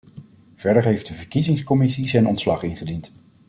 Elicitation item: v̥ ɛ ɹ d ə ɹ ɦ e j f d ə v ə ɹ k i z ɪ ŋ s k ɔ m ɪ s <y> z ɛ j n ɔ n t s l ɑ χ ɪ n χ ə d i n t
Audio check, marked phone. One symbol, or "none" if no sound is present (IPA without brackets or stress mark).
i